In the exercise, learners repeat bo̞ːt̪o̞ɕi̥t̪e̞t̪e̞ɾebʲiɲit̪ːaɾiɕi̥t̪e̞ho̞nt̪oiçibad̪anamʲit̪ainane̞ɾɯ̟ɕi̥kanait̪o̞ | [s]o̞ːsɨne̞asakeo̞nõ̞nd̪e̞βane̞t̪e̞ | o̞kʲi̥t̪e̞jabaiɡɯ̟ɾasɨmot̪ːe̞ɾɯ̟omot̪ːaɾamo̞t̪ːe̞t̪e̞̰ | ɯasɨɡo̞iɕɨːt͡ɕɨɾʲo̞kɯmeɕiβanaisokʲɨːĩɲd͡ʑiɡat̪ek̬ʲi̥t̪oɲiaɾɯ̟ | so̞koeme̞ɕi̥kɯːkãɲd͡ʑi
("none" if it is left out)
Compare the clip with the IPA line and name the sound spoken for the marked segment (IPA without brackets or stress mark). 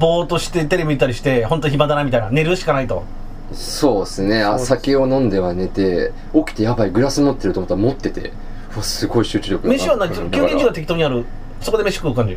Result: s